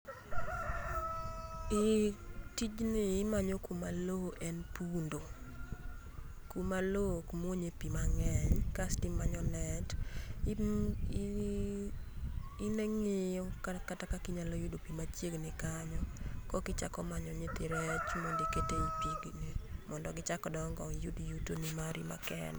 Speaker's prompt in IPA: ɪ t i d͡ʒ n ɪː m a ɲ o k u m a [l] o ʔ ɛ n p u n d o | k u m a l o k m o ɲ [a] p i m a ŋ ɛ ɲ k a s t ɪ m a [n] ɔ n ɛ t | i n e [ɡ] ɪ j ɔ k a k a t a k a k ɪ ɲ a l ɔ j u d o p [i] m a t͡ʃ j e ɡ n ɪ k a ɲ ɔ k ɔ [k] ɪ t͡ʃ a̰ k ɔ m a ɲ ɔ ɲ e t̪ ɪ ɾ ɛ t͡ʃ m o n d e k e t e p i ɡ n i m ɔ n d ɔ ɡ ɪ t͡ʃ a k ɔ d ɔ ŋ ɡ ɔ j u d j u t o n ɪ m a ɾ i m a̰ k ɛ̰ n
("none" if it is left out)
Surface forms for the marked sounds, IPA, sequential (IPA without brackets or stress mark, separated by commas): l, e, ɲ, ŋ, i, k